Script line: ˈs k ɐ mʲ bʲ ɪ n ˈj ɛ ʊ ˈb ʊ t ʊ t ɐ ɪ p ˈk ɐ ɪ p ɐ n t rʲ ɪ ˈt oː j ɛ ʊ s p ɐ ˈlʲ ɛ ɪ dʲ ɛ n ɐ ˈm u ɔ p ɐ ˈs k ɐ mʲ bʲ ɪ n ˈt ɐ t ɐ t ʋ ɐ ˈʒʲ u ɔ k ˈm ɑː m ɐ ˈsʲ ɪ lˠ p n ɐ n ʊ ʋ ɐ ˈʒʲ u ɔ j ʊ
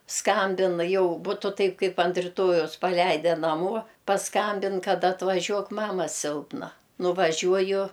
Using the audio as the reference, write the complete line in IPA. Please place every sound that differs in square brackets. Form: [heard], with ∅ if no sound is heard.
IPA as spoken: ˈs k ɐ mʲ bʲ ɪ n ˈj ɛ ʊ ˈb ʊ t ʊ t ɐ ɪ p ˈk ɐ ɪ p ɐ n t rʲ ɪ ˈt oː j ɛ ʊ s p ɐ ˈlʲ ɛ ɪ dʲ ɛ n ɐ ˈm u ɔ p ɐ ˈs k ɐ mʲ bʲ ɪ n [ˈk] ɐ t ɐ t ʋ ɐ ˈʒʲ u ɔ k ˈm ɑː m ɐ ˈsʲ ɪ lˠ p n ɐ n ʊ ʋ ɐ ˈʒʲ u ɔ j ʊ